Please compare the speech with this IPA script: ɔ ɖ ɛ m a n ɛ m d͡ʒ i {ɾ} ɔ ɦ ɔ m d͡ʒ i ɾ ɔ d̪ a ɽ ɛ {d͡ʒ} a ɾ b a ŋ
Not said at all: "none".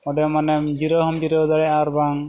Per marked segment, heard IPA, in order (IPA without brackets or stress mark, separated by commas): ɾ, none